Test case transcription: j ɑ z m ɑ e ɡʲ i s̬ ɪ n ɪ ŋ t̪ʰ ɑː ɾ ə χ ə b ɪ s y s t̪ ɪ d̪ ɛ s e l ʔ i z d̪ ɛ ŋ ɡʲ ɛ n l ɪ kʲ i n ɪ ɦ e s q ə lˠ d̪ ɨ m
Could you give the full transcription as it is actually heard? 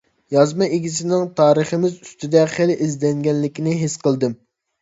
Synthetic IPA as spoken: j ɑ z m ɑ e ɡʲ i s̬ ɪ n ɪ ŋ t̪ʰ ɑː ɾ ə χ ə m ɪ z y s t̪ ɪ d̪ ɛ χ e l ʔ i z d̪ ɛ ŋ ɡʲ ɛ n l ɪ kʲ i n ɪ ɦ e s q ə lˠ d̪ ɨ m